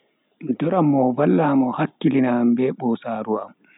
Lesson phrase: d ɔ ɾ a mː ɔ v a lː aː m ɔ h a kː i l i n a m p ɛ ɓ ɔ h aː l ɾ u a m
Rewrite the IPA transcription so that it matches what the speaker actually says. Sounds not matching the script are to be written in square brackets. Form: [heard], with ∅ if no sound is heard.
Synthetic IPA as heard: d ɔ ɾ a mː ɔ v a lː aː m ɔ h a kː i l i n a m [b] ɛ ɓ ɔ [s] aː [∅] ɾ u a m